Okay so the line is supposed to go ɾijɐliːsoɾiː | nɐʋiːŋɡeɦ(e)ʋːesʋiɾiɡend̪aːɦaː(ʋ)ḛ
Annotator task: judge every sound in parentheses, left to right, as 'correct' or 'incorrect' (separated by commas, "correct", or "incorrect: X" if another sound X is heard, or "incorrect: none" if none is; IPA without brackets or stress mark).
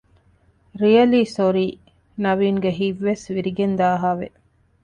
incorrect: i, correct